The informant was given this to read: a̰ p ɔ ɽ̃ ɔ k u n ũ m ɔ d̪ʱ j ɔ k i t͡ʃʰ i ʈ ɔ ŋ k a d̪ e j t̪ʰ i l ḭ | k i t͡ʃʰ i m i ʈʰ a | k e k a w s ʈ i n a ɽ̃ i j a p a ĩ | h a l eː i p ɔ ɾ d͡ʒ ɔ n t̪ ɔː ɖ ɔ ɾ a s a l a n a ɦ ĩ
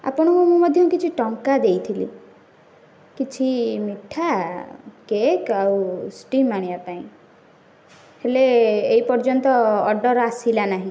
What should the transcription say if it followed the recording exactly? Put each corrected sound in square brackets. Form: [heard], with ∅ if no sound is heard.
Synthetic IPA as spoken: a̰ p ɔ ɽ̃ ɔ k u [m] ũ m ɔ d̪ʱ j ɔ k i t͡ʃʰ i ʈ ɔ ŋ k a d̪ e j t̪ʰ i l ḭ | k i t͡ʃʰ i m i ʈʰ a | k e k a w s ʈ i [m] a ɽ̃ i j a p a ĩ | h [e] l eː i p ɔ ɾ d͡ʒ ɔ n t̪ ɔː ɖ ɔ ɾ a s [i] l a n a ɦ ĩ